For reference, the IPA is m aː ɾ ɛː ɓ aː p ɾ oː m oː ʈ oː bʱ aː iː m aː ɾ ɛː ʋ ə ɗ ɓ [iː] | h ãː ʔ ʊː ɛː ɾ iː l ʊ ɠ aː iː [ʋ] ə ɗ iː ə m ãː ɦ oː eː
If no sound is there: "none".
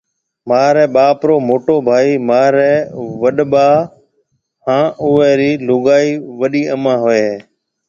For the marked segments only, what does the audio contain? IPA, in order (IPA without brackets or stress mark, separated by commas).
aː, ʋ